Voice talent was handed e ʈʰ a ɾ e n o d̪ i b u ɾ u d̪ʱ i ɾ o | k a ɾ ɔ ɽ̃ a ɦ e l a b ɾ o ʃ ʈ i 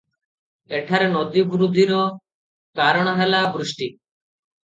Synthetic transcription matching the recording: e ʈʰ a ɾ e n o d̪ i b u ɾ u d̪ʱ i ɾ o | k a ɾ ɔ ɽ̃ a ɦ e l a b ɾ u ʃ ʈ i